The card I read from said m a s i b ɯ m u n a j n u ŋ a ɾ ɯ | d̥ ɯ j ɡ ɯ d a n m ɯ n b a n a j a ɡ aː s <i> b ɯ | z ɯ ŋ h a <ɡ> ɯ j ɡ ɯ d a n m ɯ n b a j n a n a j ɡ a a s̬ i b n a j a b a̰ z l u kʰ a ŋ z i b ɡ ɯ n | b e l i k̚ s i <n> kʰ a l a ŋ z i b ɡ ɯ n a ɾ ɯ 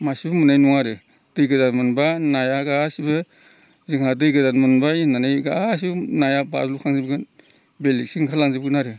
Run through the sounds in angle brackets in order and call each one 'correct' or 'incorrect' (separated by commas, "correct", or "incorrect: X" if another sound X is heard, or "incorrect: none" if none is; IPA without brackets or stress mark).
correct, incorrect: d, incorrect: ŋ